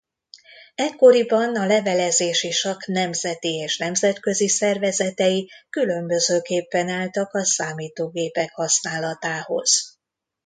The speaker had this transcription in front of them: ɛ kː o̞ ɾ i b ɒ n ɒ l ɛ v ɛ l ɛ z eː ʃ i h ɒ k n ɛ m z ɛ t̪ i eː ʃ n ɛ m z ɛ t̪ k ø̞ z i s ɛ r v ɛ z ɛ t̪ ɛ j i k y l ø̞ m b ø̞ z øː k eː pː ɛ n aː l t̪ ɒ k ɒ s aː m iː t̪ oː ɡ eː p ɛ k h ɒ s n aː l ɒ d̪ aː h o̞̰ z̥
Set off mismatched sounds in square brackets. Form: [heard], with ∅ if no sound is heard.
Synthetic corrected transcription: ɛ kː o̞ ɾ i b ɒ n ɒ l ɛ v ɛ l ɛ z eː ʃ i [ʃ] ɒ k n ɛ m z ɛ t̪ i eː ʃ n ɛ m z ɛ t̪ k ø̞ z i s ɛ r v ɛ z ɛ t̪ ɛ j i k y l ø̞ m b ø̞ z øː k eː pː ɛ n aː l t̪ ɒ k ɒ s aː m iː t̪ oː ɡ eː p ɛ k h ɒ s n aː l ɒ [t̪] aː h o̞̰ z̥

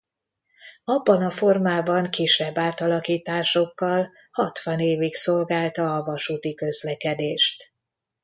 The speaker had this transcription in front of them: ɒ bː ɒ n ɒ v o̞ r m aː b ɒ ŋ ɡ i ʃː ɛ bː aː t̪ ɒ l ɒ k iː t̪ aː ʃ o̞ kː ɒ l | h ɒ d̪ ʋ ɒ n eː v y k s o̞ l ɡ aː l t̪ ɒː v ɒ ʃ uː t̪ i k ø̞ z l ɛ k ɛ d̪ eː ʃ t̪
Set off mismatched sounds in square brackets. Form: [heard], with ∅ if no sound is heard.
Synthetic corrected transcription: ɒ bː ɒ n ɒ [f] o̞ r m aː b ɒ ŋ [k] i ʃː ɛ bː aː t̪ ɒ l ɒ k iː t̪ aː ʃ o̞ kː ɒ l | h ɒ [t̪] ʋ ɒ n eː v [i] k s o̞ l ɡ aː l t̪ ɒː v ɒ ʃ uː t̪ i k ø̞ z l ɛ k ɛ d̪ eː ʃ t̪

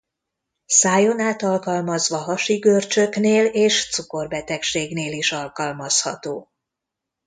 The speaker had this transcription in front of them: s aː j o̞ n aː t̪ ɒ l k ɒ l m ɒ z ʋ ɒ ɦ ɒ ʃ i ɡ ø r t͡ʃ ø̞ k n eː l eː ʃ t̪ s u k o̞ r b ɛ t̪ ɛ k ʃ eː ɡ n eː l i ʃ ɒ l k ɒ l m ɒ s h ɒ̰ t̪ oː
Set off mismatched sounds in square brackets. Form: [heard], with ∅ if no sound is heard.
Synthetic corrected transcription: s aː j o̞ n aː t̪ ɒ l k ɒ l m ɒ z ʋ ɒ ɦ ɒ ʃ i ɡ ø r t͡ʃ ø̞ k n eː l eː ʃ t̪ s u k o̞ r b ɛ t̪ ɛ k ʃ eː ɡ n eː l i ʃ ɒ l k ɒ l m ɒ s h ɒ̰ t̪ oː

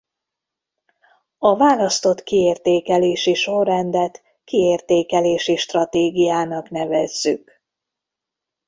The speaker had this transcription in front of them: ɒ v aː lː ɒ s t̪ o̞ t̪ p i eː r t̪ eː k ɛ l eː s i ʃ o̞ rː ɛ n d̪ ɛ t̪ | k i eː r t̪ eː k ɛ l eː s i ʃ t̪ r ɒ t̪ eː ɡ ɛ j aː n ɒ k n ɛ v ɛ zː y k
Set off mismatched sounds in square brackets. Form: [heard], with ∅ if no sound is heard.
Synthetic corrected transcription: ɒ v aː [l] ɒ s t̪ o̞ t̪ [k] i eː r t̪ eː k ɛ l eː [ʃ] i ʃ o̞ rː ɛ n d̪ ɛ t̪ | k i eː r t̪ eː k ɛ l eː [ʃ] i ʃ t̪ r ɒ t̪ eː ɡ [i] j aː n ɒ k n ɛ v ɛ zː y k

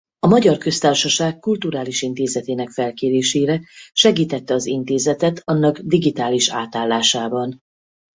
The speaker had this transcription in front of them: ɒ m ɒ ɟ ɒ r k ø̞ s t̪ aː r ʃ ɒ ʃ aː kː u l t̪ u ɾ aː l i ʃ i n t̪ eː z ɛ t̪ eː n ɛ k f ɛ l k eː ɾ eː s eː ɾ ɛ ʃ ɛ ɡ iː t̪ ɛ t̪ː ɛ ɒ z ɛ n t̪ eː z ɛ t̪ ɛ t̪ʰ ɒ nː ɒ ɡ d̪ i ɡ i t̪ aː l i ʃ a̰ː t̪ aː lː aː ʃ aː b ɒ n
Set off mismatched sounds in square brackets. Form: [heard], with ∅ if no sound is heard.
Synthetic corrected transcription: ɒ m ɒ ɟ ɒ r k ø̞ s t̪ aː r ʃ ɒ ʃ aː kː u l t̪ u ɾ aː l i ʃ i n t̪ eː z ɛ t̪ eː n ɛ k f ɛ l k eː ɾ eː [ʃ] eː ɾ ɛ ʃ ɛ ɡ iː t̪ ɛ t̪ː ɛ ɒ z [i] n t̪ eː z ɛ t̪ ɛ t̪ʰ ɒ nː ɒ ɡ d̪ i ɡ i t̪ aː l i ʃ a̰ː t̪ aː lː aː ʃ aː b ɒ n

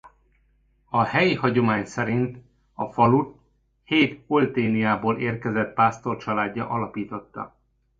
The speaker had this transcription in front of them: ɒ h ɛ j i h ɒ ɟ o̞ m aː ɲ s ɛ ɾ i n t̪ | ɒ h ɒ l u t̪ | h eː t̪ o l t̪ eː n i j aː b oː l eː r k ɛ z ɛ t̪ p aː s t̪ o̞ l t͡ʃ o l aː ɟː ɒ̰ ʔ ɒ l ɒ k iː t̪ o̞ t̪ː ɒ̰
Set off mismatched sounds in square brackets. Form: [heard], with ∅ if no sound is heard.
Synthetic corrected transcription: ɒ h ɛ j i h ɒ ɟ o̞ m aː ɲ s ɛ ɾ i n t̪ | ɒ [f] ɒ l u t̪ | h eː t̪ o l t̪ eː n i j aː b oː l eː r k ɛ z ɛ t̪ p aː s t̪ o̞ [r] t͡ʃ [ɒ] l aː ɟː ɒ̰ ʔ ɒ l ɒ [p] iː t̪ o̞ t̪ː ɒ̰

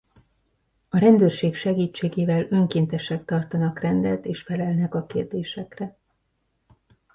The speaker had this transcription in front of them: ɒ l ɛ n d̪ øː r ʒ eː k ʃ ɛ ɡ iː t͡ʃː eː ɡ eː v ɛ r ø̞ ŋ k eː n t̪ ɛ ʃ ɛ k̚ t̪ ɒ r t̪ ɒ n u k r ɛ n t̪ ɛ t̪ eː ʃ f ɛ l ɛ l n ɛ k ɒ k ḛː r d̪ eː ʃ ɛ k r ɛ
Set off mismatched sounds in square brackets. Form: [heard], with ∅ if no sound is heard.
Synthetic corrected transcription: ɒ [ɾ] ɛ n d̪ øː r [ʃ] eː k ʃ ɛ ɡ iː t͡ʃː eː ɡ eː v ɛ [l] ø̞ ŋ k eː n t̪ ɛ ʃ ɛ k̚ t̪ ɒ r t̪ ɒ n [ɒ] k r ɛ n [d̪] ɛ t̪ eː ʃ f ɛ l ɛ l n ɛ k ɒ k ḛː r d̪ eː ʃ ɛ k r ɛ

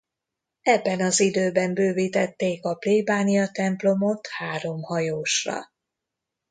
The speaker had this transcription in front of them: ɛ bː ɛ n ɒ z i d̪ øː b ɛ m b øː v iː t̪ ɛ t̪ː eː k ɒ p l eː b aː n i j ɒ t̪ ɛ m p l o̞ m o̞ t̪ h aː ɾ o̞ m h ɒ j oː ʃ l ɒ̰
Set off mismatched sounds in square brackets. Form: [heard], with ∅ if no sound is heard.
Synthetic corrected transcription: ɛ bː ɛ n ɒ z i d̪ øː b ɛ m b øː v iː t̪ ɛ t̪ː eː k ɒ p l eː b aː n i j ɒ t̪ ɛ m p l o̞ m o̞ t̪ h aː ɾ o̞ m h ɒ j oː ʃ [r] ɒ̰

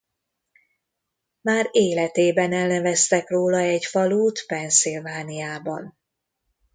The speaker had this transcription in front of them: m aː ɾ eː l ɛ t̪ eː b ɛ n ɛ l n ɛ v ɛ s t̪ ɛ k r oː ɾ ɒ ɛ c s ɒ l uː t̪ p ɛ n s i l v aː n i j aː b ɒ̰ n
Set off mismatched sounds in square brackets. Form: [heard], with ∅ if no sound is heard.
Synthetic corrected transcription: m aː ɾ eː l ɛ t̪ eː b ɛ n ɛ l n ɛ v ɛ s t̪ ɛ k r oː [l] ɒ ɛ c [f] ɒ l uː t̪ p ɛ n s i l v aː n i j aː b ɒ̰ n

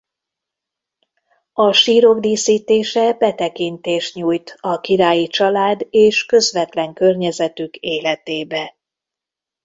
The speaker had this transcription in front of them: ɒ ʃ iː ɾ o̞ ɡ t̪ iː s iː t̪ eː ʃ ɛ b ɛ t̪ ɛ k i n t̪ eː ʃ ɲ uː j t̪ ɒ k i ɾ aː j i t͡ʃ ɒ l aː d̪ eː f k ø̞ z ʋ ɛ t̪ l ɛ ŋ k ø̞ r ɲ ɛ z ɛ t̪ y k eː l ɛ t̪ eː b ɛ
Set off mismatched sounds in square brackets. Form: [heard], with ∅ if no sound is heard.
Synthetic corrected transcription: ɒ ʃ iː ɾ o̞ ɡ [d̪] iː s iː t̪ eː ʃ ɛ b ɛ t̪ ɛ k i n t̪ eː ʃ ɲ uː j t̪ ɒ k i ɾ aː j i t͡ʃ ɒ l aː d̪ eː [ʃ] k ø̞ z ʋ ɛ t̪ l ɛ ŋ k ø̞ r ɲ ɛ z ɛ t̪ y k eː l ɛ t̪ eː b ɛ

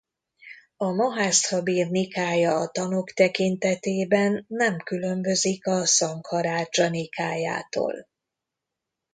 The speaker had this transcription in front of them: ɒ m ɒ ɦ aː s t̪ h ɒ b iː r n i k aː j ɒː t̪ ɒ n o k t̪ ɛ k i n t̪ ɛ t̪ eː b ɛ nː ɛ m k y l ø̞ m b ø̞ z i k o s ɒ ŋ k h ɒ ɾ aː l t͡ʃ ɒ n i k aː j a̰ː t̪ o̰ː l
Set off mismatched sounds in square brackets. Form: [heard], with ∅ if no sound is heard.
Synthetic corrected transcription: ɒ m ɒ ɦ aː s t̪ h ɒ b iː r n i k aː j ɒː t̪ ɒ n o k t̪ ɛ k i n t̪ ɛ t̪ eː b ɛ nː ɛ m k y l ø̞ m b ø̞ z i k [ɒ] s ɒ ŋ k h ɒ ɾ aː [∅] t͡ʃ ɒ n i k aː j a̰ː t̪ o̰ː l

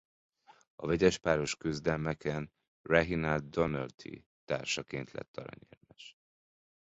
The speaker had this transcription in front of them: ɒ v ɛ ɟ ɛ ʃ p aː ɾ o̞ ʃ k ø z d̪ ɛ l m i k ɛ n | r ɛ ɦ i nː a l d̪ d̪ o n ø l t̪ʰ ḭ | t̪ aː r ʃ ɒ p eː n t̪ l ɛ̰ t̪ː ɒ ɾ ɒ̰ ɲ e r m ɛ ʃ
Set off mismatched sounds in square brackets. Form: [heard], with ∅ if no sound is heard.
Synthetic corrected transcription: ɒ v ɛ ɟ ɛ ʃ p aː ɾ o̞ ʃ k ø z d̪ ɛ l m [ɛ] k ɛ n | r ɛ ɦ i [n] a l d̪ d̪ o n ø l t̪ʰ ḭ | t̪ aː r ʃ ɒ [k] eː n t̪ l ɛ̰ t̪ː ɒ ɾ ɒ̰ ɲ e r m ɛ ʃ

